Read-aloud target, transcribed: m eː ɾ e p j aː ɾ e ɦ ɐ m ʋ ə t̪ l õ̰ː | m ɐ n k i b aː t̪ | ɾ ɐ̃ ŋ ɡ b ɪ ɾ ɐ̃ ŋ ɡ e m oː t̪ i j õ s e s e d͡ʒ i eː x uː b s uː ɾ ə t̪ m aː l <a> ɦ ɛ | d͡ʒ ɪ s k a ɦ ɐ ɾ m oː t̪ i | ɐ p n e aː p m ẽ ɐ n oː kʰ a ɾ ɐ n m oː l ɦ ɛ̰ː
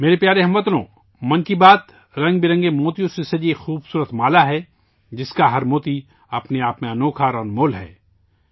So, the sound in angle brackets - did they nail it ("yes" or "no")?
yes